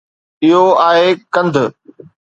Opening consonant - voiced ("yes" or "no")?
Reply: yes